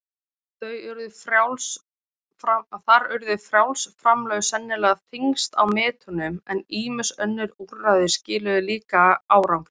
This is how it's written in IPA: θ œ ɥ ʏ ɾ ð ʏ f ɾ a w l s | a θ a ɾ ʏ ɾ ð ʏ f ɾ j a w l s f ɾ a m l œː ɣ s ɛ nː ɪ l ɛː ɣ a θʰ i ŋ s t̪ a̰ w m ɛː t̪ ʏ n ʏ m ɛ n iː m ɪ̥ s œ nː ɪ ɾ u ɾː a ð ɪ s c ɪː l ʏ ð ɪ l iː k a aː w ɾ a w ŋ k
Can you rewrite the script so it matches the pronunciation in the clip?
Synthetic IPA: θ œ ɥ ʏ ɾ ð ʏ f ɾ a w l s | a θ a ɾ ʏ ɾ ð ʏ f ɾ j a w l s f ɾ a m l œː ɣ s ɛ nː ɪ l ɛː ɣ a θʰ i ŋ s t̪ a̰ w m ɛː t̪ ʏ n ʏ m ɛ n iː m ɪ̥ s œ nː ɪ ɾ u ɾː a ð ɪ s c ɪː l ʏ ð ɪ l iː k a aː w ɾ a w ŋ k